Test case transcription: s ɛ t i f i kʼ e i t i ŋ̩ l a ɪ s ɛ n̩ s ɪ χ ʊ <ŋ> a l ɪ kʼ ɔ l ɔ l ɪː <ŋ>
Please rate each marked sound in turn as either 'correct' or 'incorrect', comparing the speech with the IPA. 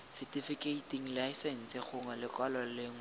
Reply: correct, correct

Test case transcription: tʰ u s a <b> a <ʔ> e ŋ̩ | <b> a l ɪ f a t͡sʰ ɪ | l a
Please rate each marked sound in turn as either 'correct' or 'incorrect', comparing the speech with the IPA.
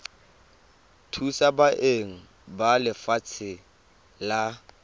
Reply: correct, correct, correct

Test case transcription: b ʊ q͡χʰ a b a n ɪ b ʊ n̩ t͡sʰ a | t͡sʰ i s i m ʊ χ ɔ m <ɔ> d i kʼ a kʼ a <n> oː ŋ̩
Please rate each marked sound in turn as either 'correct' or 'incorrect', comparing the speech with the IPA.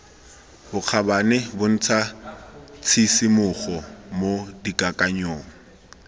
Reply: incorrect, incorrect

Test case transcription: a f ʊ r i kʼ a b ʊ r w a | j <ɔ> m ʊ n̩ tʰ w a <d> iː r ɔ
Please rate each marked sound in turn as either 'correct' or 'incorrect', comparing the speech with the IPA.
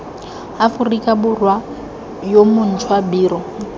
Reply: incorrect, incorrect

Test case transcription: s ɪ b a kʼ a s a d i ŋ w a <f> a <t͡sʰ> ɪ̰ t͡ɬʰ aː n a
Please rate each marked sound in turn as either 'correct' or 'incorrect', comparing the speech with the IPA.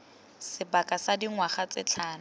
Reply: incorrect, incorrect

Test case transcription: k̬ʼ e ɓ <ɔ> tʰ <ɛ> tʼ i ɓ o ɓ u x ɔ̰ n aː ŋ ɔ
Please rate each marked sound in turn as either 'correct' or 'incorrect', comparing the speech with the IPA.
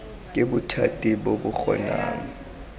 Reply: incorrect, incorrect

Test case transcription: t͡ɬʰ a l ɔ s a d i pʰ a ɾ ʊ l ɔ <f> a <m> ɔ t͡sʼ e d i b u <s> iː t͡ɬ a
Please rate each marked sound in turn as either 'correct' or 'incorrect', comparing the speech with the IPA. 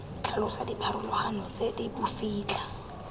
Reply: incorrect, incorrect, incorrect

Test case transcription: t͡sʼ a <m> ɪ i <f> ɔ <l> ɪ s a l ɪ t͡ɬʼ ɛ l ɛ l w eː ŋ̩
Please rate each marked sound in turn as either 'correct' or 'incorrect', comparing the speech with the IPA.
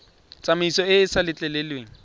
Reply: correct, incorrect, incorrect

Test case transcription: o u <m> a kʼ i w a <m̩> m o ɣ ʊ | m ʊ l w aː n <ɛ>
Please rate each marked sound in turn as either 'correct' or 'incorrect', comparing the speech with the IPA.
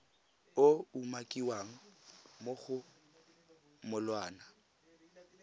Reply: correct, incorrect, incorrect

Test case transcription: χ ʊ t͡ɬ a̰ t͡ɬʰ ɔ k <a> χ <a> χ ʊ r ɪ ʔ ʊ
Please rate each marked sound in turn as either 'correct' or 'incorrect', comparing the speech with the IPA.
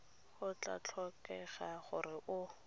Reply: incorrect, correct

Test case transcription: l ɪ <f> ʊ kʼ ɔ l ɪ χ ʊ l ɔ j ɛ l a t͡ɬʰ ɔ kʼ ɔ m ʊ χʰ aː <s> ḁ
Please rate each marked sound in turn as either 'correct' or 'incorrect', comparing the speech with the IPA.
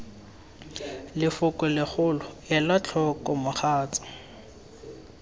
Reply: correct, incorrect

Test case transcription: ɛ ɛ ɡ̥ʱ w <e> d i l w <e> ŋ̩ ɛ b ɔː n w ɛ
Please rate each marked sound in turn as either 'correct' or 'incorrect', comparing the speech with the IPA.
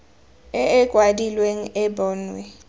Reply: incorrect, correct

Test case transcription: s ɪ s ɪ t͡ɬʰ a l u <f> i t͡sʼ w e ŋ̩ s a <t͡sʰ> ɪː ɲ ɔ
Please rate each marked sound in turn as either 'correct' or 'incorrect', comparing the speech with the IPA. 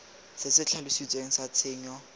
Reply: incorrect, correct

